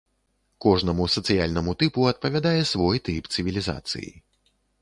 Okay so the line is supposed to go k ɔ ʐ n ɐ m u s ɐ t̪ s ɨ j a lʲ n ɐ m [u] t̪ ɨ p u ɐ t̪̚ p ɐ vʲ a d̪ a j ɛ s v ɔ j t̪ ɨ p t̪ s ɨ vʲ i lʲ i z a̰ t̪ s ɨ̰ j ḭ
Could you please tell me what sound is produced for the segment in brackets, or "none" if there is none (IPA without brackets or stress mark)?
u